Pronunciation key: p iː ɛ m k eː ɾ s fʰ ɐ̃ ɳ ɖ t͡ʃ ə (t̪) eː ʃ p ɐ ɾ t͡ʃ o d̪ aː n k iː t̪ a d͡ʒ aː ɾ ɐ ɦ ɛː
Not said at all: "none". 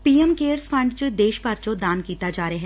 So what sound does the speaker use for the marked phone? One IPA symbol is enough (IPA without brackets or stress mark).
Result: d̪